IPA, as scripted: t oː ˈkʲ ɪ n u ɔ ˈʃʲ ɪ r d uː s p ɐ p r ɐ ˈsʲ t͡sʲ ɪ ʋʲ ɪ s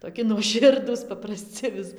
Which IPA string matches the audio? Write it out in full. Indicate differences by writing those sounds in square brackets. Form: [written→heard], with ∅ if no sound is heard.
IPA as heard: t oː ˈkʲ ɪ n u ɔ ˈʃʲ ɪ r d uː s p ɐ p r ɐ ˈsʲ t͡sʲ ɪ ʋʲ ɪ s